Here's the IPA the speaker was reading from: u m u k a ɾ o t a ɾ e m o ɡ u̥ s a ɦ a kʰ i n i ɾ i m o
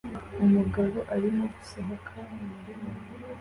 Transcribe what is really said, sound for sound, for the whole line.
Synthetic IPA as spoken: u m u ɡ a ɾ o ʔ a ɾ i m o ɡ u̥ s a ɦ a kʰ a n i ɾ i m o